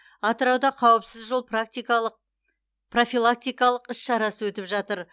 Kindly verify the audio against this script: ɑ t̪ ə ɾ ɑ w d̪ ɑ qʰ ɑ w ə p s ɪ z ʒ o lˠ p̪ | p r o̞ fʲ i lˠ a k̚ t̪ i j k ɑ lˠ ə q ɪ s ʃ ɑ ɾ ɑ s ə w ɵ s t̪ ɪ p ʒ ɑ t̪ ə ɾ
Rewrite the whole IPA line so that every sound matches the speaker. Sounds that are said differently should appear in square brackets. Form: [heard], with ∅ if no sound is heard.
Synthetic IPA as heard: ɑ t̪ ə ɾ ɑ w d̪ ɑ qʰ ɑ w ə p s ɪ z ʒ o lˠ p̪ | p r o̞ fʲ i lˠ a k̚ t̪ i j k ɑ lˠ ə q ɪ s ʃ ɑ ɾ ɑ s ə w ɵ [∅] t̪ ɪ p ʒ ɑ t̪ ə ɾ